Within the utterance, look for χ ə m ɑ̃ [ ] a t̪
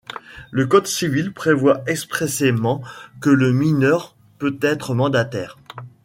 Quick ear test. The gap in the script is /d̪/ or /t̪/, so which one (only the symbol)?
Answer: d̪